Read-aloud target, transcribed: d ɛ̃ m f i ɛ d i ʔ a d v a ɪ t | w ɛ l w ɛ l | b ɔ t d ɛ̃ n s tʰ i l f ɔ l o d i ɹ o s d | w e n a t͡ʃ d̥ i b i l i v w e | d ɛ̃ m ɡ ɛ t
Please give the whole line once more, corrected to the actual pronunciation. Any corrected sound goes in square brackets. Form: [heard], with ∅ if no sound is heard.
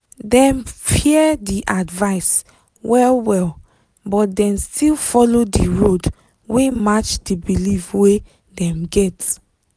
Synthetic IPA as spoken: d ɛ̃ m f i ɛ d i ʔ a d v a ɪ [s] | w ɛ l w ɛ l | b ɔ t d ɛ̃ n s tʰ i l f ɔ l o d i ɹ o [∅] d | w e [m] a t͡ʃ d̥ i b i l i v w e | d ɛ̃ m ɡ ɛ t